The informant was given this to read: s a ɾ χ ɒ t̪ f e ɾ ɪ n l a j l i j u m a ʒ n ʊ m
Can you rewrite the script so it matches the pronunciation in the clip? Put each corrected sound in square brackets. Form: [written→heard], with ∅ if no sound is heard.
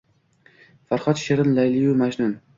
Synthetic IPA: [s→f] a ɾ χ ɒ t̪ [f→ʃ] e ɾ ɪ n l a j l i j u m a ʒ n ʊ [m→n]